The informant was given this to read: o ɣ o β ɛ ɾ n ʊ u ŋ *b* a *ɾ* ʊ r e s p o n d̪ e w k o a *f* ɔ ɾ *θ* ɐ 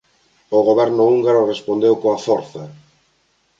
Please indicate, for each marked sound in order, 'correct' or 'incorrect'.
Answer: incorrect: ɡ, correct, correct, correct

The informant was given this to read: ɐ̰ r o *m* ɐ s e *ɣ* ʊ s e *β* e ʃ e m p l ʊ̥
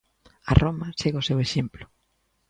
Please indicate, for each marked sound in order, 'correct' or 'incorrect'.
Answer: correct, correct, incorrect: w

